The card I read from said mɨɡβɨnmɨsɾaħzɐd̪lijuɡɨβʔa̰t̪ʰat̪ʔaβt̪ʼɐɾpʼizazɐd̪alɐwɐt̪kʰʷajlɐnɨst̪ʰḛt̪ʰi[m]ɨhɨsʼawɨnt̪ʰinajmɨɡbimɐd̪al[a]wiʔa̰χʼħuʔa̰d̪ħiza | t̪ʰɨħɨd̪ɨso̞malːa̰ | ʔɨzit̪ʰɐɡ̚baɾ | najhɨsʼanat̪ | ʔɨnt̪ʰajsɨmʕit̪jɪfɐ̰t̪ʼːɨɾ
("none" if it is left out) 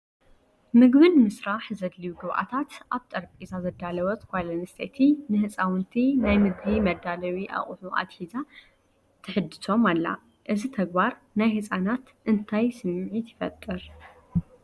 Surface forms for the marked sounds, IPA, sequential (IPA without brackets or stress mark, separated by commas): n, ɐ